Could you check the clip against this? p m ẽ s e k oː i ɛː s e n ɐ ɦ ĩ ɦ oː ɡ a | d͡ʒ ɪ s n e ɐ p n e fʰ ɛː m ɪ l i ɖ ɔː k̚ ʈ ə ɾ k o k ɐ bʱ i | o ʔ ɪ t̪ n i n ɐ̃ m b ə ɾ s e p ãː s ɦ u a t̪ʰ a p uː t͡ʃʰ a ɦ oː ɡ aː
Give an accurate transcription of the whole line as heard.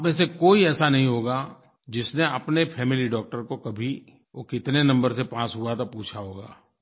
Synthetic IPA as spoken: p m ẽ s e k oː i ɛː s a n ɐ ɦ ĩ ɦ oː ɡ a | d͡ʒ ɪ s n e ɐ p n e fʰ ɛː m ɪ l i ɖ ɔː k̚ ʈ ə ɾ k o k ɐ bʱ i | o k ɪ t̪ n e n ɐ̃ m b ə ɾ s e p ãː s ɦ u a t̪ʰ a p uː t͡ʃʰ a ɦ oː ɡ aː